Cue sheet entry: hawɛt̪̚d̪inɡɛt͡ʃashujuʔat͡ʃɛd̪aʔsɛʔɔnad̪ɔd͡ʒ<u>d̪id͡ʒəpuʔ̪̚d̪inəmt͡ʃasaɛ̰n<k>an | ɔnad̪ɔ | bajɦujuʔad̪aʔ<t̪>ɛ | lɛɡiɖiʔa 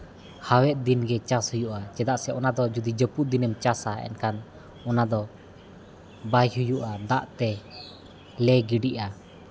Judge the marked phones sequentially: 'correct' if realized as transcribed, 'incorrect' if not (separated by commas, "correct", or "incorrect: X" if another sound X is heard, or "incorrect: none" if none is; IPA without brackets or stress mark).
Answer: correct, correct, correct